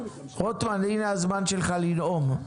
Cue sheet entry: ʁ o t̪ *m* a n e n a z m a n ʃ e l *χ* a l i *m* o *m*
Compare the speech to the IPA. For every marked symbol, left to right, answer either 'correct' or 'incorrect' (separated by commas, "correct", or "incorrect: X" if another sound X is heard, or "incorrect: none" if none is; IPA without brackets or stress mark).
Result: correct, correct, incorrect: n, correct